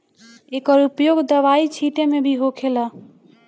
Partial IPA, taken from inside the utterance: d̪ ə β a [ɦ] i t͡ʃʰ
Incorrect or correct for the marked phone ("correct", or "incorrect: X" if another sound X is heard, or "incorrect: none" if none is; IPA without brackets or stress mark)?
incorrect: none